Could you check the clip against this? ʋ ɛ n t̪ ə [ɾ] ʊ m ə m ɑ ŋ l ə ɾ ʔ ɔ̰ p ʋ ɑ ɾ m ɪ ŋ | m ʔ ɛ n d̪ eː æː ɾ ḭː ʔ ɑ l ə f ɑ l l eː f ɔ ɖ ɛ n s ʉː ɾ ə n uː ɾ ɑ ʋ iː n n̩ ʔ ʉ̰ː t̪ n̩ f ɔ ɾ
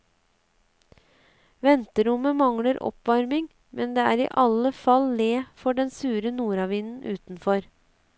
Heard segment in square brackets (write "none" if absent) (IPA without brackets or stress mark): ɾ